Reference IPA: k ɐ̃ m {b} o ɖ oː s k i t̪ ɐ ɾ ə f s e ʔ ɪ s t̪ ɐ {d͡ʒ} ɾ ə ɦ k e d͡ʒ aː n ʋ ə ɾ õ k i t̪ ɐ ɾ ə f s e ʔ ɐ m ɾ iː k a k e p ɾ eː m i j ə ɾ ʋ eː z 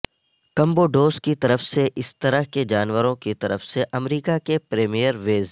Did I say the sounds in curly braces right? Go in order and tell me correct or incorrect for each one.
correct, incorrect: none

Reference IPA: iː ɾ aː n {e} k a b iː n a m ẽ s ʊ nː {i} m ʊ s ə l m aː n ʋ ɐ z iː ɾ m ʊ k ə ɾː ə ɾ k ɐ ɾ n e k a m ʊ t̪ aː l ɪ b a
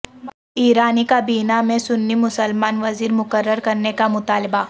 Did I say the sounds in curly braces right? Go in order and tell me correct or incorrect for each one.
incorrect: i, correct

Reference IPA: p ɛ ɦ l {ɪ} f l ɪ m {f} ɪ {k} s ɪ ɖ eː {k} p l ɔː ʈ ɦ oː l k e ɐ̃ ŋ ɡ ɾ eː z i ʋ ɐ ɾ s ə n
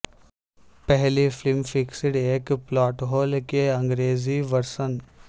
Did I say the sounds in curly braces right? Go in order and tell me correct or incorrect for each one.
incorrect: i, correct, correct, correct

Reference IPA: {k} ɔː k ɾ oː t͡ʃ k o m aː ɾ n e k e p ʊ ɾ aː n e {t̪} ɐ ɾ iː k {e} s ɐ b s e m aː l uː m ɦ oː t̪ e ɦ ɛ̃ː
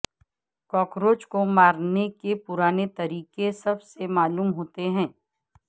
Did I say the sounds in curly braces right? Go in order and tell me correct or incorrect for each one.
correct, correct, correct

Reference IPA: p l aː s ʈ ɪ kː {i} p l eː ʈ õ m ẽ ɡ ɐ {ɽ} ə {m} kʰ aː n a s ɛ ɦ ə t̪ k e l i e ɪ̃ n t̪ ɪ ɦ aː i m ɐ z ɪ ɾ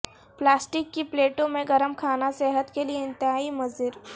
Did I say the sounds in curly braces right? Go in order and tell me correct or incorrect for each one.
correct, incorrect: ɾ, correct

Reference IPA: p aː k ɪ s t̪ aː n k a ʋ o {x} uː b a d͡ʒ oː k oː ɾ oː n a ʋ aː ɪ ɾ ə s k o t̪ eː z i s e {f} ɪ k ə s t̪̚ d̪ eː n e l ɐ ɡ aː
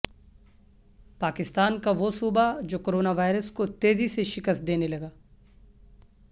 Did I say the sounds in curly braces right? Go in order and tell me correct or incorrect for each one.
incorrect: s, incorrect: ʃ

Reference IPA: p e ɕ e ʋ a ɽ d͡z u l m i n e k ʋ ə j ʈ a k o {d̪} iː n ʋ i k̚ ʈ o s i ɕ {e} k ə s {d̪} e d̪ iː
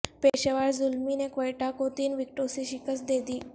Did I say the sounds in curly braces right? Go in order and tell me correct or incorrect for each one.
incorrect: t̪, incorrect: i, correct

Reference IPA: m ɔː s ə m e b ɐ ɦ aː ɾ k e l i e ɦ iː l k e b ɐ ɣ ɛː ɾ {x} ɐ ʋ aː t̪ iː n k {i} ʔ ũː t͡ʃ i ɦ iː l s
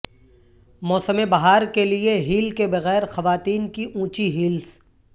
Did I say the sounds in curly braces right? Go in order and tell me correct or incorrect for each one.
correct, correct

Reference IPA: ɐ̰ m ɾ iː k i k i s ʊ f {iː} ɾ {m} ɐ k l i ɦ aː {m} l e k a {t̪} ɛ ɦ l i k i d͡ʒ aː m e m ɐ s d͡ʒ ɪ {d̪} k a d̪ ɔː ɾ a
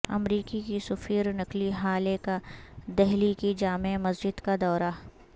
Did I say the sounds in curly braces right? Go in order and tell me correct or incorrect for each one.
correct, incorrect: n, incorrect: none, incorrect: d̪, correct

